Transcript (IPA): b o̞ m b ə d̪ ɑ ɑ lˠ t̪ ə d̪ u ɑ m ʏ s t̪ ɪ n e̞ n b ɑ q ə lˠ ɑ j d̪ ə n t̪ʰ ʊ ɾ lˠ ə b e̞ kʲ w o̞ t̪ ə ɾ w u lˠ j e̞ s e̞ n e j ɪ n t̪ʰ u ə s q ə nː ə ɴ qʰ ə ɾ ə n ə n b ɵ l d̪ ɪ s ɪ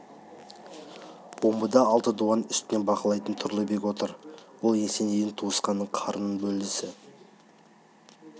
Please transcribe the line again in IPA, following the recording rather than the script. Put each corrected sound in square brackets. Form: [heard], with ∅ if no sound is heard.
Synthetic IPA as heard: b o̞ m b ə d̪ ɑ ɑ lˠ t̪ ə d̪ u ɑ [n] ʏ s t̪ ɪ n e̞ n b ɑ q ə lˠ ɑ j [t̪] ə n t̪ʰ ʊ ɾ lˠ ə b e̞ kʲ w o̞ t̪ ə ɾ w [o] lˠ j e̞ s e̞ n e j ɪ n t̪ʰ u ə s q [ɑ] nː ə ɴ qʰ [ɑ] ɾ ə n ə n b ɵ l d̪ ɪ s ɪ